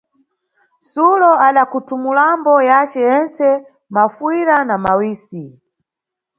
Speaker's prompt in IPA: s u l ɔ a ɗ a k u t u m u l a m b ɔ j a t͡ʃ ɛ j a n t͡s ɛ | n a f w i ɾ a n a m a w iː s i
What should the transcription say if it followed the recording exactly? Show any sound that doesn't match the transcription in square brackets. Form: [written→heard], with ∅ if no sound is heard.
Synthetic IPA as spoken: s u l ɔ a ɗ a k u t u m u l a m b ɔ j a t͡ʃ ɛ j [a→ɛ] n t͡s ɛ | [n→m] a f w i ɾ a n a m a w iː s i